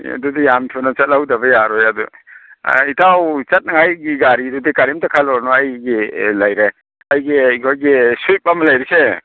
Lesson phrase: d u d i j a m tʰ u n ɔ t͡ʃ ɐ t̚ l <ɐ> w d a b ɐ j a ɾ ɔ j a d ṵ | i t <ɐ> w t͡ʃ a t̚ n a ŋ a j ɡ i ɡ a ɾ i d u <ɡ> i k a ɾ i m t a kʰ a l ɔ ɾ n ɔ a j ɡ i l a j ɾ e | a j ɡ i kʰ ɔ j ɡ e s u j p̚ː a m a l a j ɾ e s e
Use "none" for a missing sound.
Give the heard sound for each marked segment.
a, a, d

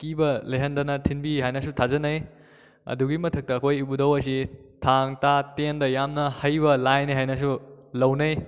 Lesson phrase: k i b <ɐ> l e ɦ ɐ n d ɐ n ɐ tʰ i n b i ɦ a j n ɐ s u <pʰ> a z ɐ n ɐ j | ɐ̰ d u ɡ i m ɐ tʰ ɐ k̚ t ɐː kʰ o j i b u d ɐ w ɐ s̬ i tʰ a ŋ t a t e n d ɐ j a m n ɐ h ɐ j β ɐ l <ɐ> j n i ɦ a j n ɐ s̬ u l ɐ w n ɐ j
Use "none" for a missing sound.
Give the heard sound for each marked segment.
ɐ, tʰ, a

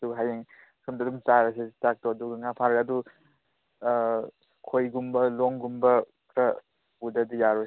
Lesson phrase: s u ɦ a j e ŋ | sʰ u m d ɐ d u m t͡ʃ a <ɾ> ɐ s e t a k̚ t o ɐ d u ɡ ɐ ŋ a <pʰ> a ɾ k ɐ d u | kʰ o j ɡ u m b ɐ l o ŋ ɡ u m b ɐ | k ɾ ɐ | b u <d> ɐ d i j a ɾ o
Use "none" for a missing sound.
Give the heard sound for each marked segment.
ɾ, pʰ, d

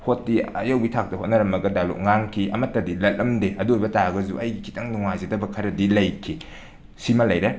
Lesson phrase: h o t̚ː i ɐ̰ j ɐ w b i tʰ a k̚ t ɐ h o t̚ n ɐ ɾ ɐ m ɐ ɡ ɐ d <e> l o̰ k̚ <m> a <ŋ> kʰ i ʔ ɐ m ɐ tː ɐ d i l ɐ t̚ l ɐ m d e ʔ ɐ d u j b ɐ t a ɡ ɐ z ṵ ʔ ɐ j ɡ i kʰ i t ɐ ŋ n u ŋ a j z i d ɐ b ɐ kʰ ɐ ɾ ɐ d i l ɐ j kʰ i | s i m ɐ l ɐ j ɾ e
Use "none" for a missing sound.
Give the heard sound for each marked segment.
a, ŋ, ŋ

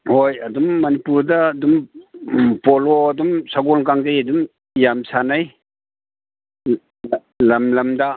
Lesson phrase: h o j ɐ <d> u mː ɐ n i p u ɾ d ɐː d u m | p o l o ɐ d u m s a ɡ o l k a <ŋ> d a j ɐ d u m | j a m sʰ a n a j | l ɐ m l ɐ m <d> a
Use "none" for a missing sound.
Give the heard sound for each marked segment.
d, ŋ, d

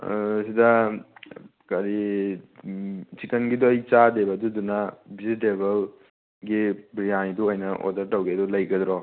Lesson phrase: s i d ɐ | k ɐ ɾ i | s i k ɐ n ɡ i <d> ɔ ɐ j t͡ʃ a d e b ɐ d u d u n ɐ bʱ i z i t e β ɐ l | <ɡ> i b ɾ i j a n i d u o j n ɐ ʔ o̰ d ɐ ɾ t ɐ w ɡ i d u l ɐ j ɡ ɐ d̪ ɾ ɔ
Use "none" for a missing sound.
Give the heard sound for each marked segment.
d, ɡ

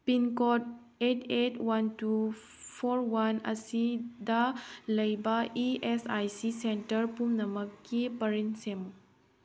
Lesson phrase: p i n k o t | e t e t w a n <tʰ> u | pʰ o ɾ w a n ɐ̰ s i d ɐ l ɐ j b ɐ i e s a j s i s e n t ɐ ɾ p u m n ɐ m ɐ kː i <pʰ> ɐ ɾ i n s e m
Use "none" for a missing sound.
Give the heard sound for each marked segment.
t, p

